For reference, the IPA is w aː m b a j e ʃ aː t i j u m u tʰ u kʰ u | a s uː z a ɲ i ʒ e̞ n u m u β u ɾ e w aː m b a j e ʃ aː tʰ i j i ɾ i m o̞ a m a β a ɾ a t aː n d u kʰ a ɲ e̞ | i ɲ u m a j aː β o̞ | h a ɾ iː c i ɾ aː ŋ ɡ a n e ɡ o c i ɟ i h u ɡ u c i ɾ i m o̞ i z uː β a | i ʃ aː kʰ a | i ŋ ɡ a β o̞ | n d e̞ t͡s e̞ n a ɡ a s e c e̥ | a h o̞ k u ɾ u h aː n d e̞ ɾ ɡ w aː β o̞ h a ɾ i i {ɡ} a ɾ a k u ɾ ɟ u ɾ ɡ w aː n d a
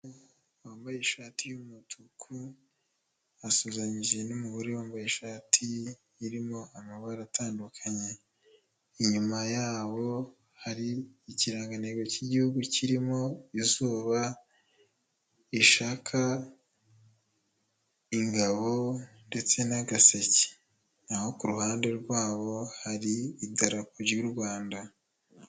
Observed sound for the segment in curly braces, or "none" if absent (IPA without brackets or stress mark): d